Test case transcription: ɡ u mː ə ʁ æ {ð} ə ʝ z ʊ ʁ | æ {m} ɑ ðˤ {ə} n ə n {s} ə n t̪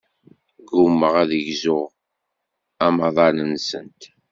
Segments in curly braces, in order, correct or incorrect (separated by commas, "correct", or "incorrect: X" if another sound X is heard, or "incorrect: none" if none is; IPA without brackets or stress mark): correct, correct, incorrect: ɑ, correct